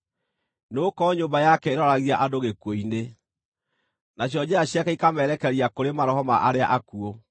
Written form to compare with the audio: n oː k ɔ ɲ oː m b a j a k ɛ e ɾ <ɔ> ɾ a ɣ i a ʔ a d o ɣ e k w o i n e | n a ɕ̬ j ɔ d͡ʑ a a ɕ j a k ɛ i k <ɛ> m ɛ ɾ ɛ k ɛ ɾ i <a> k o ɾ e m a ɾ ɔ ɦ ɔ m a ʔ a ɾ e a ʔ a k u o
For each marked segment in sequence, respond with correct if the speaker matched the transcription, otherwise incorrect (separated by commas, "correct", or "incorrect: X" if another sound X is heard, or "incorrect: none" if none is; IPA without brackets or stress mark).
correct, incorrect: a, correct